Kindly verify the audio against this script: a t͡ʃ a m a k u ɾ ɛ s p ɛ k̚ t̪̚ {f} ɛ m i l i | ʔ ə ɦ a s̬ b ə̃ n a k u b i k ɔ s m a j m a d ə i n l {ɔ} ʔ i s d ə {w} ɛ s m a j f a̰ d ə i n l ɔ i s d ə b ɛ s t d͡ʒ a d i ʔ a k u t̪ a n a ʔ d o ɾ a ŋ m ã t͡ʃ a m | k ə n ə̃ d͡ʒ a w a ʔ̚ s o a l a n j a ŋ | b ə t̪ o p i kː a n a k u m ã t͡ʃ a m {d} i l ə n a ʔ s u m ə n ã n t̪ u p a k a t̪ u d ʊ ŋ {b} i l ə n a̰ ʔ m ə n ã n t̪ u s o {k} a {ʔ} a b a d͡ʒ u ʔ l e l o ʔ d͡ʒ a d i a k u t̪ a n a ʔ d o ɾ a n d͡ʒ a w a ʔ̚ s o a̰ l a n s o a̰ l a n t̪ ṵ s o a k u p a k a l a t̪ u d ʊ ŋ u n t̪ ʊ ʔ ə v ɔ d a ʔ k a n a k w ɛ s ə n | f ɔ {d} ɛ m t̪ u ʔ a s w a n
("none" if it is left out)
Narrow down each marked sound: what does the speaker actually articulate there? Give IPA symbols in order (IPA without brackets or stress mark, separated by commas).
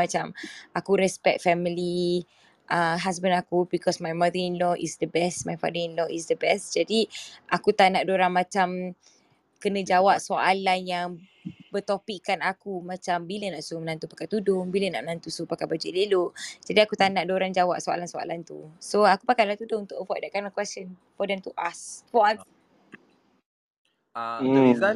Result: f, ɔ, b, b, b, p, k, d